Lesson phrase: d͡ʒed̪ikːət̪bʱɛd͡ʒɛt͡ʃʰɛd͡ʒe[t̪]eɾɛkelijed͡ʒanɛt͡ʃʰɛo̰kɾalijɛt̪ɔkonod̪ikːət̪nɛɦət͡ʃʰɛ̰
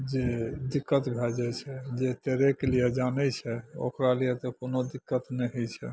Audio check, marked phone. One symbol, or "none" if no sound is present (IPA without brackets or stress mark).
t̪